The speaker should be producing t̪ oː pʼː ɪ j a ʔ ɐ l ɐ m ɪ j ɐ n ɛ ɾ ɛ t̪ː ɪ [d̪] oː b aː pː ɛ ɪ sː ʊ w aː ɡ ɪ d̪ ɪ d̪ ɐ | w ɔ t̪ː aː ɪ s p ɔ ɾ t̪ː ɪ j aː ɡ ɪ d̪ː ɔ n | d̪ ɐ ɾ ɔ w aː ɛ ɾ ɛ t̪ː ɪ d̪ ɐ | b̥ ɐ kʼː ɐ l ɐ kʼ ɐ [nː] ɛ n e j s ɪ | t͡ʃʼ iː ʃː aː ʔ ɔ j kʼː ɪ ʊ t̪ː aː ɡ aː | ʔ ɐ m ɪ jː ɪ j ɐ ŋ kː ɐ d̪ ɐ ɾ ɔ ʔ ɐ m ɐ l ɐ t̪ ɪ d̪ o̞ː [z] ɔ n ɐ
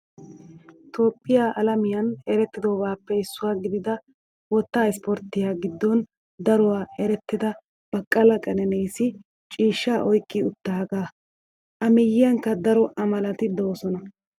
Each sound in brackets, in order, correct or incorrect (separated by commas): correct, incorrect, incorrect